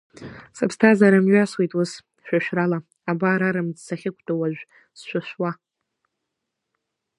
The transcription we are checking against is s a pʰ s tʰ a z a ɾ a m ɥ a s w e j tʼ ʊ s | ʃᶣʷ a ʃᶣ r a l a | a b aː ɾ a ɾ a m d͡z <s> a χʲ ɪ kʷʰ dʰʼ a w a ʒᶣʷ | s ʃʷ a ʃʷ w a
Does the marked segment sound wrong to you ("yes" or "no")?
no